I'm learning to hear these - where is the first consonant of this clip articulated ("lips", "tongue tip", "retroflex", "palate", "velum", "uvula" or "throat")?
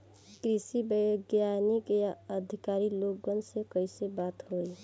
velum